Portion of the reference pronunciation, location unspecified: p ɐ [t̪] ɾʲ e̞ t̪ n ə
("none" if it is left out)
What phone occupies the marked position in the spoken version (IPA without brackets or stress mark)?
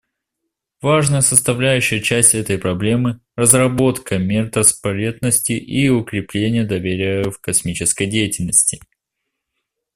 none